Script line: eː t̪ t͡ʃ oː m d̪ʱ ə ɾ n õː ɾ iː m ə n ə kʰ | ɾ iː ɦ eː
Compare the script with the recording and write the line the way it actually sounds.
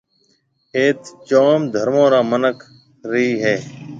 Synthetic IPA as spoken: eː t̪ t͡ʃ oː m d̪ʱ ə ɾ m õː ɾ aː m ə n ə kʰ | ɾ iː ɦ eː